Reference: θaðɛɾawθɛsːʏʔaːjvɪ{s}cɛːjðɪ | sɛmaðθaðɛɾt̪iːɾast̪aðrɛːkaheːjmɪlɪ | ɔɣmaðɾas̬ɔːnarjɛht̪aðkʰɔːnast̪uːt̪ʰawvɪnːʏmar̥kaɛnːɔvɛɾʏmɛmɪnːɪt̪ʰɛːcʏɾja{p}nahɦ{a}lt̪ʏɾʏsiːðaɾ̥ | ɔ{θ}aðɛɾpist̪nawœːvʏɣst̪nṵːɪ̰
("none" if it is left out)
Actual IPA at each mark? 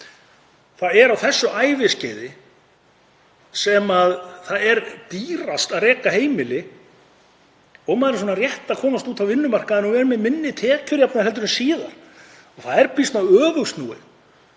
s, p, ɛ, θ

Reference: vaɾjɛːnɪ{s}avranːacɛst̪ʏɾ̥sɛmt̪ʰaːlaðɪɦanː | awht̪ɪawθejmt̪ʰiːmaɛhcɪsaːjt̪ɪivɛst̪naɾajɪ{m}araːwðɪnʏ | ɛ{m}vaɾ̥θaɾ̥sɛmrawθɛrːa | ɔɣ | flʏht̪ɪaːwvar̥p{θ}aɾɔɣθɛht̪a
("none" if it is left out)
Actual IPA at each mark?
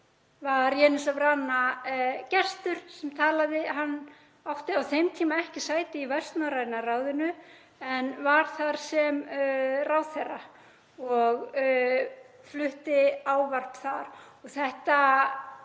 s, n, n, θ

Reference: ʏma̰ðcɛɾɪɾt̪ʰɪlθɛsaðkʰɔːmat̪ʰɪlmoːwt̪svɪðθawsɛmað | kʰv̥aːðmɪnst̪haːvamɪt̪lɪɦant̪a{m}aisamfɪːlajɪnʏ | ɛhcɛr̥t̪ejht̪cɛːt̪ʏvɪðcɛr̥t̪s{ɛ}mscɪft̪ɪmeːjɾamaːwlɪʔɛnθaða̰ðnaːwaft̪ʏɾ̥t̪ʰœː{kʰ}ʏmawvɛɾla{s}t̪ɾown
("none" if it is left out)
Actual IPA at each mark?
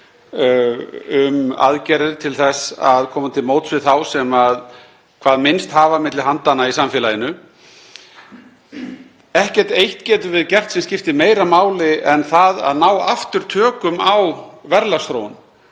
n, ɛ, k, s

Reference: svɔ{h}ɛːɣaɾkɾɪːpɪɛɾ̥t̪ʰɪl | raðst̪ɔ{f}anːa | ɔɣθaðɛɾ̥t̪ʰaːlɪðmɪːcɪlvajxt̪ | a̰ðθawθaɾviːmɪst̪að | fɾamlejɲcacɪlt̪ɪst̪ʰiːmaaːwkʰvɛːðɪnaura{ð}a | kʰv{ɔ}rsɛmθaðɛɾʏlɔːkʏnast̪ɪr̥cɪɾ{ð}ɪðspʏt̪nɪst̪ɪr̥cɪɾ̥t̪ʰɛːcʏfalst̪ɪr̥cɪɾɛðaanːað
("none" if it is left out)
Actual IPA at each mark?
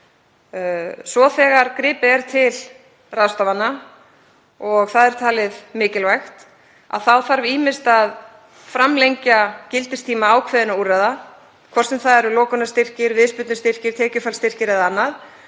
θ, v, ð, ɔ, v

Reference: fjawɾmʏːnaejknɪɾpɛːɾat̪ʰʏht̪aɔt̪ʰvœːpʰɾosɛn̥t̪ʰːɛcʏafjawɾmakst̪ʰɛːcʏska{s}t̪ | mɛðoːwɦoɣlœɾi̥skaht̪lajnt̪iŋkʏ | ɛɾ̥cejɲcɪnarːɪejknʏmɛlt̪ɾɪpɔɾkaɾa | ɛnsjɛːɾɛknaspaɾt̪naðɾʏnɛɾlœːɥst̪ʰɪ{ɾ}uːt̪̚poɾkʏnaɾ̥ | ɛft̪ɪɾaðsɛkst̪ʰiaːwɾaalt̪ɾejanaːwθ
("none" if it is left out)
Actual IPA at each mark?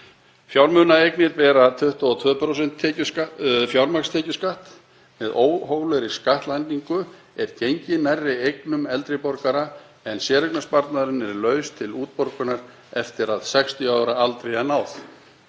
h, l

